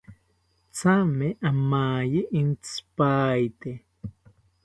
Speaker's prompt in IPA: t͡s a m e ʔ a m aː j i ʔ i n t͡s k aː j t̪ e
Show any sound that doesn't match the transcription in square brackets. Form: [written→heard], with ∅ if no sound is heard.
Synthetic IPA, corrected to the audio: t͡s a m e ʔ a m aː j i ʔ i n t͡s [k→p] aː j t̪ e